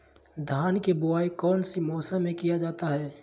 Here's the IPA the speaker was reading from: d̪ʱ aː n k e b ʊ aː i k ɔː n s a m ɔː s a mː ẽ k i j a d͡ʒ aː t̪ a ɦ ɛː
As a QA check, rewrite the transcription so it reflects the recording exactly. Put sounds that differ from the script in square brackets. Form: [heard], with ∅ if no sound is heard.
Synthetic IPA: d̪ʱ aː n k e b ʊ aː i k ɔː n s [i] m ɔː s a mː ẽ k i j a d͡ʒ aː t̪ a ɦ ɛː